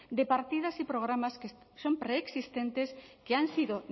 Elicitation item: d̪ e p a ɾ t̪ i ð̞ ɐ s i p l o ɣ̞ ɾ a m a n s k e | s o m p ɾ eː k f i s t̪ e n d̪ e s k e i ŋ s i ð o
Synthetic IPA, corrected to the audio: d̪ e p a ɾ t̪ i ð̞ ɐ s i p ɾ o ɣ̞ ɾ a m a s k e | s o m p ɾ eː k s i s t̪ e n t̪ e s k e a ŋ s i ð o